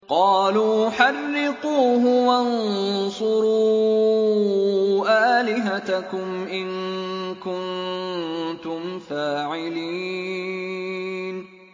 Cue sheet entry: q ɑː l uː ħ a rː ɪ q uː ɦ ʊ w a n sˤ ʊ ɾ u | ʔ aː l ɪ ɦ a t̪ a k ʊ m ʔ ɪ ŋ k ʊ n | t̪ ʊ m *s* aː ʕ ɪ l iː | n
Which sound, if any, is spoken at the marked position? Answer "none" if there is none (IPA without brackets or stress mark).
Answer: f